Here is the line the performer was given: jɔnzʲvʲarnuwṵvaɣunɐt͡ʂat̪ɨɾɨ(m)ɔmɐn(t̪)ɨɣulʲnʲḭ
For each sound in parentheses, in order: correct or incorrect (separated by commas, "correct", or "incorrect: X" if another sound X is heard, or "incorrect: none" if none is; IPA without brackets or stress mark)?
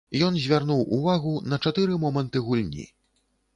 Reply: correct, correct